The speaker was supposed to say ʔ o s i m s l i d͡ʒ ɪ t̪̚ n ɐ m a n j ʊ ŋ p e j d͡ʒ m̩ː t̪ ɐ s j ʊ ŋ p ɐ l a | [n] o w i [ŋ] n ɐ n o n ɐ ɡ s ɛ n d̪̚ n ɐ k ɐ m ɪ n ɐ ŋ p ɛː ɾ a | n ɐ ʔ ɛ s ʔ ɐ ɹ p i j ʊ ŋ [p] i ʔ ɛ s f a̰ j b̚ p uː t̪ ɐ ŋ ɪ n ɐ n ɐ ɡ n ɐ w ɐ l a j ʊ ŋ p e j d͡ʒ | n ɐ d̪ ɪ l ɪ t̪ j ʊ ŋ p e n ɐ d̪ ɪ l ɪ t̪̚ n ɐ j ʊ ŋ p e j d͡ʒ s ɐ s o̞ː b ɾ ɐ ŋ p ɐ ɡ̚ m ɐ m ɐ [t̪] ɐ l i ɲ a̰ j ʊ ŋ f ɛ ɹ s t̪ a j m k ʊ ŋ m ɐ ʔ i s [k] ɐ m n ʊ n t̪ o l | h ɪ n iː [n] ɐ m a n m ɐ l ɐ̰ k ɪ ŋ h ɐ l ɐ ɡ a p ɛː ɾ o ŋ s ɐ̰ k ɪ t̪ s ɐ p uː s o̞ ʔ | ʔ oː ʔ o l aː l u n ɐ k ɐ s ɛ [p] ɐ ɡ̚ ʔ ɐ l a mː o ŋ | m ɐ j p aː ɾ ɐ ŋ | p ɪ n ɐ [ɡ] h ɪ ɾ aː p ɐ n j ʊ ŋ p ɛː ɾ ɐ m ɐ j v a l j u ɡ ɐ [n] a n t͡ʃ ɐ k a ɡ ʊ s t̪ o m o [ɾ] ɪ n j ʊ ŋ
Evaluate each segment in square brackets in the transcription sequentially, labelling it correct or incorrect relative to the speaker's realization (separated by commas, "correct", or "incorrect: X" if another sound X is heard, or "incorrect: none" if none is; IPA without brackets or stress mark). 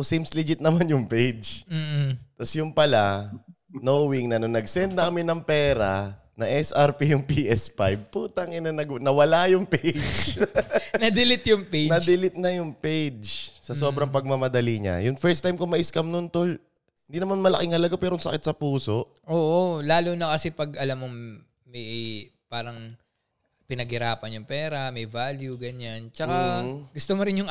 correct, correct, correct, incorrect: d̪, correct, correct, correct, correct, incorrect: ɲ, correct